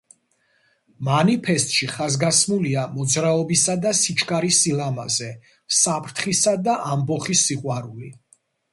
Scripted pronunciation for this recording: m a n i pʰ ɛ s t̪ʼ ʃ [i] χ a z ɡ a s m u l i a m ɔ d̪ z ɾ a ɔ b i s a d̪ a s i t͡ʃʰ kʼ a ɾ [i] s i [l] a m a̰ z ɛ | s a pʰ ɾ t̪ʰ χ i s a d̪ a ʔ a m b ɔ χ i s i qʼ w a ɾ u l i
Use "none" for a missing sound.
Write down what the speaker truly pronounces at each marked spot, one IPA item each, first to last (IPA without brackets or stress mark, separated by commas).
i, i, l